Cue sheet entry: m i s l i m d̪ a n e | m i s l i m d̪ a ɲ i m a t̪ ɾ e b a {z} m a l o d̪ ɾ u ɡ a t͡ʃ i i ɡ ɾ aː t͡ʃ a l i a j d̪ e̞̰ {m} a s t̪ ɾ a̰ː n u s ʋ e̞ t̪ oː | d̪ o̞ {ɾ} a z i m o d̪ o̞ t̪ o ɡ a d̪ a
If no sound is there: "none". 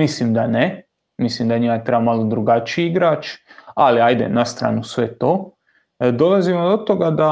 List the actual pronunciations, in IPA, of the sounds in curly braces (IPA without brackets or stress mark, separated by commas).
none, n, l